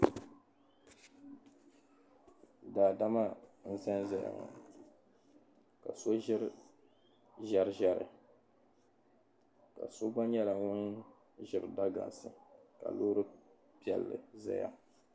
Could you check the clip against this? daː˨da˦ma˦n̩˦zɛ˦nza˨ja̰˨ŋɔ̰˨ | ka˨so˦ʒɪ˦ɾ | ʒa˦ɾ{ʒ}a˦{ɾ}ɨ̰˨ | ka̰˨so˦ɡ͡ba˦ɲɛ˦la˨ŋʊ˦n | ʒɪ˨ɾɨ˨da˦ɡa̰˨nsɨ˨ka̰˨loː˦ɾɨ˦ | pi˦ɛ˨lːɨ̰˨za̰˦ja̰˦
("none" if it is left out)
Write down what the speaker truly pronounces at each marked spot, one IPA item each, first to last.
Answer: ʒ, ɾ

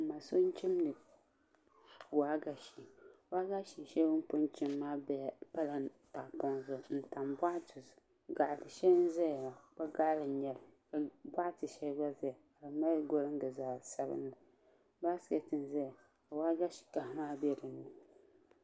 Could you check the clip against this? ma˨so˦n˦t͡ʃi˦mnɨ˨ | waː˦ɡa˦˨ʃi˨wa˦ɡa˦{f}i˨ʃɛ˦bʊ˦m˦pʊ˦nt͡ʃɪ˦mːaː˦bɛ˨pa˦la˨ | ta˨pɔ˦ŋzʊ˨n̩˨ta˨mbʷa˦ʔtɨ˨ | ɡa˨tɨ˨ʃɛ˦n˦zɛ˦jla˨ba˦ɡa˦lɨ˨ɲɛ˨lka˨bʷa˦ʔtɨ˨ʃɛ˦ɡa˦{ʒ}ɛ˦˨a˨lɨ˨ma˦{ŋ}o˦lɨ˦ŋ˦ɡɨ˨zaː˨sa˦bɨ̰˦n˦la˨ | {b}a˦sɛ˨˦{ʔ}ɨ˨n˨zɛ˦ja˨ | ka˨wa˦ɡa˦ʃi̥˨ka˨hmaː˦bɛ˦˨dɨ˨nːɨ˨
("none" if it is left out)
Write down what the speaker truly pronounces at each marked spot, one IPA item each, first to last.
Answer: ʃ, z, ɡ, b, t

